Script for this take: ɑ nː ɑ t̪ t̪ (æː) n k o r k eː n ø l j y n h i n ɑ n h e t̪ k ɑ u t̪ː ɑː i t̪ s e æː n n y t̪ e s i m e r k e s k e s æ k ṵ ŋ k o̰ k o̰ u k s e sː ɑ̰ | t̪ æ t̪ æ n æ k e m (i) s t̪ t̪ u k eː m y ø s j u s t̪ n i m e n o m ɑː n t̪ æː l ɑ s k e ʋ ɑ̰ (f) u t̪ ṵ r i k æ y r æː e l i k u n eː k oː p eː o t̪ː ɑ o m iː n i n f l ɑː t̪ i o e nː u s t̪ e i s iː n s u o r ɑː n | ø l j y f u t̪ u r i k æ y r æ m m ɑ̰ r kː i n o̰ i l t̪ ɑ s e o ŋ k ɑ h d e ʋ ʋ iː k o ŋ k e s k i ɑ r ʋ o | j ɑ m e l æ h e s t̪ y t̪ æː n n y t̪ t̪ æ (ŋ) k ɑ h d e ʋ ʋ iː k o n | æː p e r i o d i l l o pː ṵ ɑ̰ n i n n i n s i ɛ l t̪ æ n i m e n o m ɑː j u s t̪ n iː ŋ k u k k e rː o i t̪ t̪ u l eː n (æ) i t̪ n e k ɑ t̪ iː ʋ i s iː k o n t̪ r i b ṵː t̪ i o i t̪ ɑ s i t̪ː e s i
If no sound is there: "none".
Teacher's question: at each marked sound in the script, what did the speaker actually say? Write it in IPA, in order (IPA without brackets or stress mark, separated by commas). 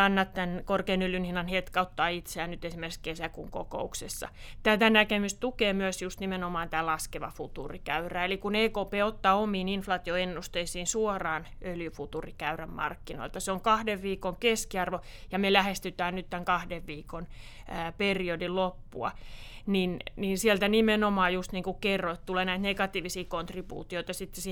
æ, y, f, ŋ, æ